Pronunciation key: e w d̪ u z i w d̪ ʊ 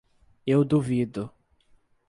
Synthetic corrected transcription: e w d̪ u v i d̪ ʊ